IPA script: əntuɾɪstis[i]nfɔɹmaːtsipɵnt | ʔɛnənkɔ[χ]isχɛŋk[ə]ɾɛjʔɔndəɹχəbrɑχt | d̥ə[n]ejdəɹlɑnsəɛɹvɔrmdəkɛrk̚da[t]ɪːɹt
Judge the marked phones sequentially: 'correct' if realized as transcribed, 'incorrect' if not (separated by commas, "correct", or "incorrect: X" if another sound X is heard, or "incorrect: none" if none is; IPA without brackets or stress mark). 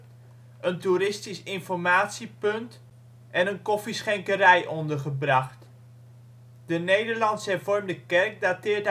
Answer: incorrect: ɪ, incorrect: f, correct, correct, correct